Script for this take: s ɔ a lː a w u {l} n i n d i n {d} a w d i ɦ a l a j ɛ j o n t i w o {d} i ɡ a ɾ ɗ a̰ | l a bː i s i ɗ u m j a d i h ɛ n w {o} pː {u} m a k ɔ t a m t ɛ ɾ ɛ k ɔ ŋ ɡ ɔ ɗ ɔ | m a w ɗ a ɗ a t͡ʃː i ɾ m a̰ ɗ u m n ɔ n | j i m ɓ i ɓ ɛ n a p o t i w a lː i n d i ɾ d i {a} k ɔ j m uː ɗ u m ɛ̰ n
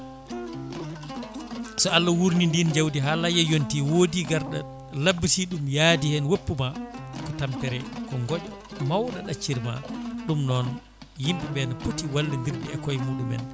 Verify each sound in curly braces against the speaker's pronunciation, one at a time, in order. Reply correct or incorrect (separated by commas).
incorrect, incorrect, correct, correct, correct, incorrect